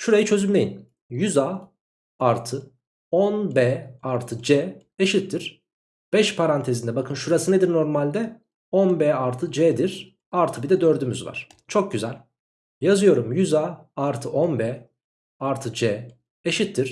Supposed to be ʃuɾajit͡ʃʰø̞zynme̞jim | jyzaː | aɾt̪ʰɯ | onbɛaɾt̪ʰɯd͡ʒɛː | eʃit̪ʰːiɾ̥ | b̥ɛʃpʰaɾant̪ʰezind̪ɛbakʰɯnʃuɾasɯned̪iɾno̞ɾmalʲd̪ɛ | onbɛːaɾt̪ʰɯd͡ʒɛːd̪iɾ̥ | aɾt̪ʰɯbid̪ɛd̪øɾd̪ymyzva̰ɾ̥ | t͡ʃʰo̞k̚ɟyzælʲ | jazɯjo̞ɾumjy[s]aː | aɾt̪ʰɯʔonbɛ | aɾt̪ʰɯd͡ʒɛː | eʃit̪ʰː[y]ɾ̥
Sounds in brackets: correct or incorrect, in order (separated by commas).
incorrect, incorrect